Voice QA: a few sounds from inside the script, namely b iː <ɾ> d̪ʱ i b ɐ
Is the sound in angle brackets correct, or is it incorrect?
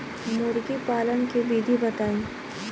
incorrect